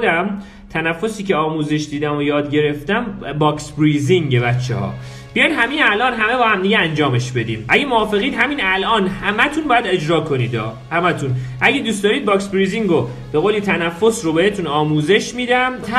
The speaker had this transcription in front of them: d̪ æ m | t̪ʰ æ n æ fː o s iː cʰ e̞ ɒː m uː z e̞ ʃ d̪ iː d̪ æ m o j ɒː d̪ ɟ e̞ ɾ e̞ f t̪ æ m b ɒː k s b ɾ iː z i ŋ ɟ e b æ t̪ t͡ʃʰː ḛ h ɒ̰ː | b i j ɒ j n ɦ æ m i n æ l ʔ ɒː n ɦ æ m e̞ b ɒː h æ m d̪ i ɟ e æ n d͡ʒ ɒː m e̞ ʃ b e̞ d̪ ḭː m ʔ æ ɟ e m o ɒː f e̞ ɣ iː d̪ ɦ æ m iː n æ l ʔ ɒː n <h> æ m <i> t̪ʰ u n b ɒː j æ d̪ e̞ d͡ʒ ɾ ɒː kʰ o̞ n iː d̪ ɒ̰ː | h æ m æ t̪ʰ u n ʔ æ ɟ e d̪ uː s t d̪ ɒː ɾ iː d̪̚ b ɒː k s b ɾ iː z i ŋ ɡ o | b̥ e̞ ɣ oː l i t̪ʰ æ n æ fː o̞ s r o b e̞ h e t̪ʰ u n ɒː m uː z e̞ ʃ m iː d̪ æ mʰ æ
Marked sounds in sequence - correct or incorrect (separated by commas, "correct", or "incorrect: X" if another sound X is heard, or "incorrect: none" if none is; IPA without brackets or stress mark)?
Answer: correct, incorrect: æ